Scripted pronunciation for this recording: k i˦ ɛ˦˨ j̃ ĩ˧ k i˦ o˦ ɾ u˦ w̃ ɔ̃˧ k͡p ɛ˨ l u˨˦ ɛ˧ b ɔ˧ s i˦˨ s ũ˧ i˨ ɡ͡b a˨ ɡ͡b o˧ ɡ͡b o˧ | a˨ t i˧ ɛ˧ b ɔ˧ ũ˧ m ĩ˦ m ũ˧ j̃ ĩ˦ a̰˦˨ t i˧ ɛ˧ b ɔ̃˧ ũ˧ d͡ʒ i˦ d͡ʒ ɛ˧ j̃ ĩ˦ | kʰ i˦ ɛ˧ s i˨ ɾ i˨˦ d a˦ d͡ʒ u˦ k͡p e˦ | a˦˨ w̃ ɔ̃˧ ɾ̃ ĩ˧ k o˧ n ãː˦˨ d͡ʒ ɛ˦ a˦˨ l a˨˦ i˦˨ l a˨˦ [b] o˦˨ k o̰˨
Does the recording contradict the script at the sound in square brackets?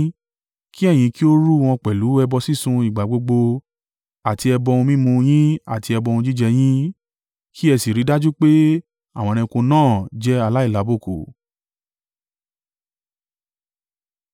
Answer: no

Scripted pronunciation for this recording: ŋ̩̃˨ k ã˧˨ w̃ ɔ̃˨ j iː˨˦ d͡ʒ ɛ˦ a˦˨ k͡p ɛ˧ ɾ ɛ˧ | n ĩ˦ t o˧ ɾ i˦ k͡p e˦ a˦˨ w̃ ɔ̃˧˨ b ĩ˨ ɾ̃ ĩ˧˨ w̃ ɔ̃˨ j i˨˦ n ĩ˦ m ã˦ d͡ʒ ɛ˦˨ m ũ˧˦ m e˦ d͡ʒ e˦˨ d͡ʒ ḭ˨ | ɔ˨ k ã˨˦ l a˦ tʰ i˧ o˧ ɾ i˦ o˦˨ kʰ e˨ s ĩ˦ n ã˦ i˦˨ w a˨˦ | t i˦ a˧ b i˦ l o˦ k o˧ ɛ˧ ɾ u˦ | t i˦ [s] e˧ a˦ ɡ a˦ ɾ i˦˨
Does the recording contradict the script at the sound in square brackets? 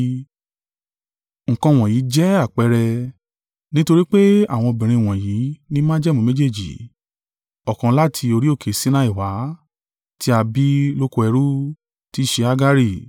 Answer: yes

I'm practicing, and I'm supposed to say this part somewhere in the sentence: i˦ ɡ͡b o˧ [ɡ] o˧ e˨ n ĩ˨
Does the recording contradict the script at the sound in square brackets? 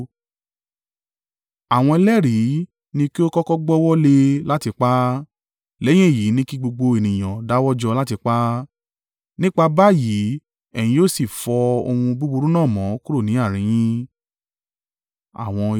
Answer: yes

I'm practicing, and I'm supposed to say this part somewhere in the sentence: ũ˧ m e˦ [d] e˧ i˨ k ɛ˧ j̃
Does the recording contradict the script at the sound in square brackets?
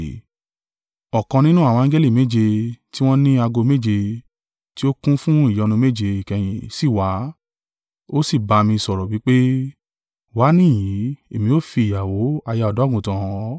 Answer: yes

